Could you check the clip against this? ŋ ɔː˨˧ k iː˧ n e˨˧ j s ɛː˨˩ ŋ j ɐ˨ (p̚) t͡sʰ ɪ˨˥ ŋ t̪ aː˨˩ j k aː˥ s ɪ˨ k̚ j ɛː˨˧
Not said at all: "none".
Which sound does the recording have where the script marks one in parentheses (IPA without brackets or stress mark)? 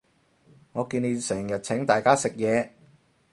t̚